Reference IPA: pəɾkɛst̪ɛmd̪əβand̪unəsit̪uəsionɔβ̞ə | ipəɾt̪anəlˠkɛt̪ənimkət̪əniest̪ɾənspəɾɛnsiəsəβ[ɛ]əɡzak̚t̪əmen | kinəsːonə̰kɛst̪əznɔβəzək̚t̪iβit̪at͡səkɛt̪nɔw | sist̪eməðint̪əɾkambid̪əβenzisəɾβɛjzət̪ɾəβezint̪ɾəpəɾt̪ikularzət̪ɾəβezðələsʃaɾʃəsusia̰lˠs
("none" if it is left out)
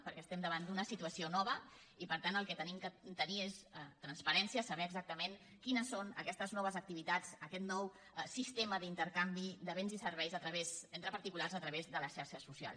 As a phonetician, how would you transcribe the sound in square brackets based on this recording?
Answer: ɛ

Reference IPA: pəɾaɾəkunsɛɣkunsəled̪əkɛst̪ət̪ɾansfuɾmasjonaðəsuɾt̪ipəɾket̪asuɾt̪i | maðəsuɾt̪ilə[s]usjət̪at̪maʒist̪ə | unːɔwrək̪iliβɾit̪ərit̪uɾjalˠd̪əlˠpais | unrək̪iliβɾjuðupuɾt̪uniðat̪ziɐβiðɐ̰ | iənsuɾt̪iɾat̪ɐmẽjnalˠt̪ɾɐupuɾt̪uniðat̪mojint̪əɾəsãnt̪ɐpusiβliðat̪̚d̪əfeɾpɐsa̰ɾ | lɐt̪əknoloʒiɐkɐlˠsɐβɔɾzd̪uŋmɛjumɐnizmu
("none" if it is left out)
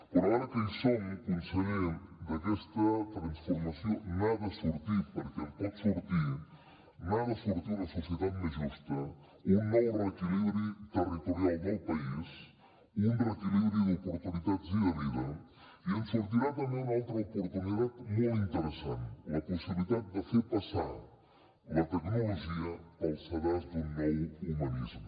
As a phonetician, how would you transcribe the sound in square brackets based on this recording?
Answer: s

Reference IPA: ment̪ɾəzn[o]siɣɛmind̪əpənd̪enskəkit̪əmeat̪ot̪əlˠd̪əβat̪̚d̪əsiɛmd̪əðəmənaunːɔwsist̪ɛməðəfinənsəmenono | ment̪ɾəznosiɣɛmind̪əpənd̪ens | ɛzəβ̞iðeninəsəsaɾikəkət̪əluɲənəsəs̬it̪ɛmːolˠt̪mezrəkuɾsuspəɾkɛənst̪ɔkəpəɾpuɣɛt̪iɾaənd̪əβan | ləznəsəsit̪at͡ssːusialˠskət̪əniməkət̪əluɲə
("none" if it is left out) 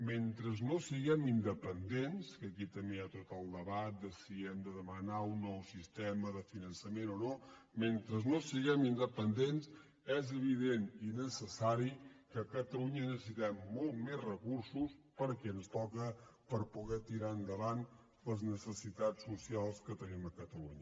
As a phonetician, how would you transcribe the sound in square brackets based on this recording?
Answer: o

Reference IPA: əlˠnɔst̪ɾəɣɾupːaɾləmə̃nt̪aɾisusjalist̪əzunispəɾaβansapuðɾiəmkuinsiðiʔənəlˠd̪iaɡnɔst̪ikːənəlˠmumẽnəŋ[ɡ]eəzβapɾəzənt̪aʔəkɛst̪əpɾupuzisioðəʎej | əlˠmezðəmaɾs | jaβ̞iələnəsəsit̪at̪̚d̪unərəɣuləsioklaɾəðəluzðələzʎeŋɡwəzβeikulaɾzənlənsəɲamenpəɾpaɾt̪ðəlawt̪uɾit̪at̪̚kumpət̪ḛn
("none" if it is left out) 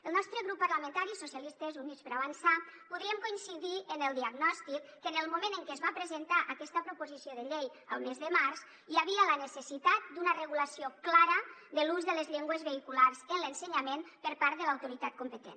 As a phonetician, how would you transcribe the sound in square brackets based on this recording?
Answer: k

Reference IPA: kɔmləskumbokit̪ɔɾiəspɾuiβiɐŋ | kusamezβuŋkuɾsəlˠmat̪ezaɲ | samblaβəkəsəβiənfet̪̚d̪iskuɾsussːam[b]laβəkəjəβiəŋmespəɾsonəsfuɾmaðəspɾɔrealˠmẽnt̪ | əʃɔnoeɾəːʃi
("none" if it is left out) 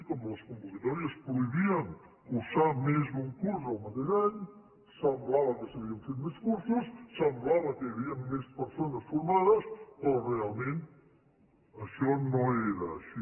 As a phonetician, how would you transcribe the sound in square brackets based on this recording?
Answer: b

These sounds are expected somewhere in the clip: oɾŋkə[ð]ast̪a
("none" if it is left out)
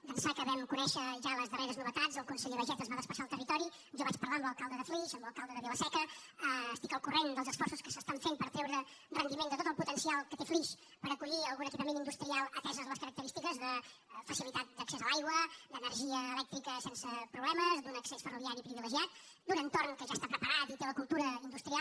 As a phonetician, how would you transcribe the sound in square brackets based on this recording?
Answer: ʒ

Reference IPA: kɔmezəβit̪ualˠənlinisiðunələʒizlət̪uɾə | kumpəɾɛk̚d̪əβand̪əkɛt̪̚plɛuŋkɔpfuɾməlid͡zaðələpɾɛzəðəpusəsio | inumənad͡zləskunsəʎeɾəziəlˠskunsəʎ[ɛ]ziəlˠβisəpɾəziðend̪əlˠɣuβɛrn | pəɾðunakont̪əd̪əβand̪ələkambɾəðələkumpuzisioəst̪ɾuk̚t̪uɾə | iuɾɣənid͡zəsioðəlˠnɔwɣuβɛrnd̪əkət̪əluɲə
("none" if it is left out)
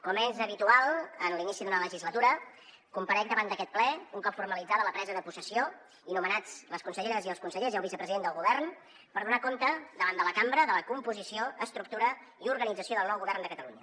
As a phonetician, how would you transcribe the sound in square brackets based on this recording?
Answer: e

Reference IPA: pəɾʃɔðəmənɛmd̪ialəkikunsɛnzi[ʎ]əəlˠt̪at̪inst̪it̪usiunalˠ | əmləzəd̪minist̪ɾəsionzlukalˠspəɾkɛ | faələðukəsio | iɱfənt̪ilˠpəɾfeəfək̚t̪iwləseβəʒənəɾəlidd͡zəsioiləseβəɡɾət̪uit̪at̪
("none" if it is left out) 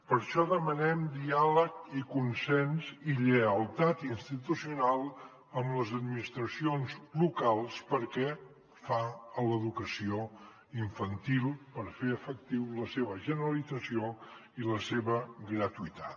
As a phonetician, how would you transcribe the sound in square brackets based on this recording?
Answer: ʎ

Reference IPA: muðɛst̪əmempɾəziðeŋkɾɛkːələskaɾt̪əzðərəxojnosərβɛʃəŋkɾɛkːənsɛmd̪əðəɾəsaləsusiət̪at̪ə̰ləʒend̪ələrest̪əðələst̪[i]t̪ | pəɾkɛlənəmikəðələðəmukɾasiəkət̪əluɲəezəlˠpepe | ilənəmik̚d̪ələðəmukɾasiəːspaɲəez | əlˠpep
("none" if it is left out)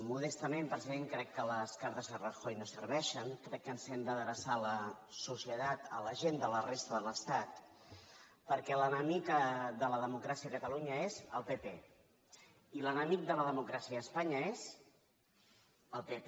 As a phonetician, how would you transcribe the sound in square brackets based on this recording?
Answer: a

